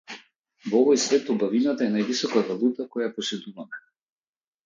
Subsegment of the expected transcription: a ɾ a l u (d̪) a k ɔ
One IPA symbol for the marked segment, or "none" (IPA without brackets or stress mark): t̪